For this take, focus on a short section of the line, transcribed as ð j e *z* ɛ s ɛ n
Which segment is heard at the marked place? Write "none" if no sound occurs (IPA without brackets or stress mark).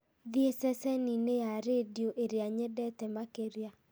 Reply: s